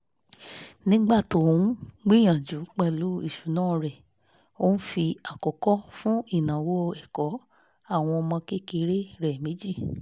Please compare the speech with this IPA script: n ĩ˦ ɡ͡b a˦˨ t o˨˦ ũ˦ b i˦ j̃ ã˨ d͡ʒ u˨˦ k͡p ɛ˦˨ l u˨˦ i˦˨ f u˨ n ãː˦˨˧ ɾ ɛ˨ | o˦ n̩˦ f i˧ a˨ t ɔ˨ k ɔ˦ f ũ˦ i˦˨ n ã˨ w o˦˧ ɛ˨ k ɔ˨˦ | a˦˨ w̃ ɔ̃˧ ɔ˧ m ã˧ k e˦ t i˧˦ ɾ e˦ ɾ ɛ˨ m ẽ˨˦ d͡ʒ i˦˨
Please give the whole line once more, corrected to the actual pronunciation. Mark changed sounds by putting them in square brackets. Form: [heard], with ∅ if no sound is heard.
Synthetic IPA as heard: n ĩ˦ ɡ͡b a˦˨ t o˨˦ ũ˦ [ɡ͡b] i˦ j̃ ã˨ d͡ʒ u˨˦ k͡p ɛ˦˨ l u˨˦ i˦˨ [ʃ] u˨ n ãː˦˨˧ ɾ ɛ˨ | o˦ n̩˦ f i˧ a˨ [k] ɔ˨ k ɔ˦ f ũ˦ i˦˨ n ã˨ w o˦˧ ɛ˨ k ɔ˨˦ | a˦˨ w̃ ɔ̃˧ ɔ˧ m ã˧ k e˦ [k] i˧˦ ɾ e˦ ɾ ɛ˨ m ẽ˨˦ d͡ʒ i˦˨